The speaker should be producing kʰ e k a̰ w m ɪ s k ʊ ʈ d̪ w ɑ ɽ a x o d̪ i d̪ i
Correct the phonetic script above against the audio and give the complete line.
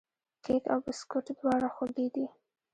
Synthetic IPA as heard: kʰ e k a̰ w b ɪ s k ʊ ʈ d̪ w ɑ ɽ a x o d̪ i d̪ i